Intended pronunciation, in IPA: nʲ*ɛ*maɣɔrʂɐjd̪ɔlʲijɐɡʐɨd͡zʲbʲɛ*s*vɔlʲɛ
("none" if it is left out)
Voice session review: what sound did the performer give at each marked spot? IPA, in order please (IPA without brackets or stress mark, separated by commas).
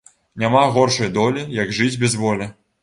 a, z